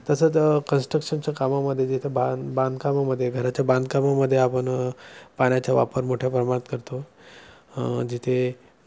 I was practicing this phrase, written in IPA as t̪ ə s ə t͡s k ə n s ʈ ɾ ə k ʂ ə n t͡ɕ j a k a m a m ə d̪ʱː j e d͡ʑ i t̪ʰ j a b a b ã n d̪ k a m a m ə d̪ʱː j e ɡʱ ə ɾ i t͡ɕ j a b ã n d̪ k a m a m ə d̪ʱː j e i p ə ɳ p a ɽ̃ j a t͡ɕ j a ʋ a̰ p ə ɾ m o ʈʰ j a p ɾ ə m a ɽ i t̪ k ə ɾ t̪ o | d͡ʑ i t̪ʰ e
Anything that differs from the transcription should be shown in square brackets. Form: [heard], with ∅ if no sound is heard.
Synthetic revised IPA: t̪ ə s ə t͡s k ə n s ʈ ɾ ə k ʂ ə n t͡ɕ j a k a m a m ə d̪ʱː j e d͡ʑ i t̪ʰ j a b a b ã n d̪ k a m a m ə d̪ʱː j e ɡʱ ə ɾ [a] t͡ɕ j a b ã n d̪ k a m a m ə d̪ʱː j e [a] p ə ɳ p a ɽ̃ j a t͡ɕ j a ʋ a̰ p ə ɾ m o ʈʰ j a p ɾ ə m a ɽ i t̪ k ə ɾ t̪ o | d͡ʑ i t̪ʰ e